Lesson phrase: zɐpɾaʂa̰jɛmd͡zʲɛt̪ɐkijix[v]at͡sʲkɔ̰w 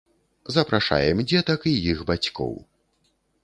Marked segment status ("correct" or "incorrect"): incorrect